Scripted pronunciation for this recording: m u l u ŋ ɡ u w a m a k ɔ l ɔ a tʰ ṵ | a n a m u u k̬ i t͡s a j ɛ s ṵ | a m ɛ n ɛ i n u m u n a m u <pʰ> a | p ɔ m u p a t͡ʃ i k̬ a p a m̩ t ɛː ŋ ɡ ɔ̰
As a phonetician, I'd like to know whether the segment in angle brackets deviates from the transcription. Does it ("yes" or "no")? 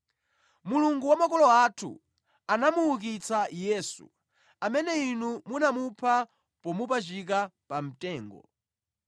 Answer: no